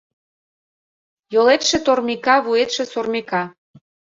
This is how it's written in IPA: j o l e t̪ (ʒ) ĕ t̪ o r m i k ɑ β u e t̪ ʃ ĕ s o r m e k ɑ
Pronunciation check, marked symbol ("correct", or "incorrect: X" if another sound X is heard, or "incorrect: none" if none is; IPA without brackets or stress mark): incorrect: ʃ